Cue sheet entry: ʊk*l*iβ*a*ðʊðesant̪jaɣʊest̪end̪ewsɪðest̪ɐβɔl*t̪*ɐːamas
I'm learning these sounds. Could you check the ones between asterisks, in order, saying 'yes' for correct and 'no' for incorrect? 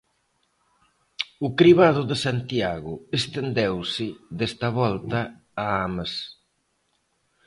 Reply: no, yes, yes

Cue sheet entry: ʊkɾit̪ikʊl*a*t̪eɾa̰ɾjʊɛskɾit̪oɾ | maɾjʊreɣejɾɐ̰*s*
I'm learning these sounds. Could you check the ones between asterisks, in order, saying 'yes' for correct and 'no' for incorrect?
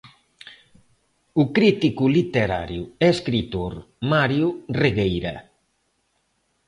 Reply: no, no

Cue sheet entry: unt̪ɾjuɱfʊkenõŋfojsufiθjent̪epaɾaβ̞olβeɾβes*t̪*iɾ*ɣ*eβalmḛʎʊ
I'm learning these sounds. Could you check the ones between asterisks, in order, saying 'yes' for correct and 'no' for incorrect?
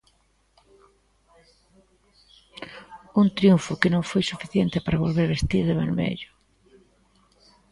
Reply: yes, no

